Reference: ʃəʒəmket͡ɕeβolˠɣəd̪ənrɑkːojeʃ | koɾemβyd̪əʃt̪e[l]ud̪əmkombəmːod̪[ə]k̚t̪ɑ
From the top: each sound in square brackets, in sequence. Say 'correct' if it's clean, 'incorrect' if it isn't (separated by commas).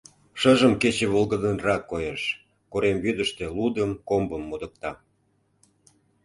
correct, correct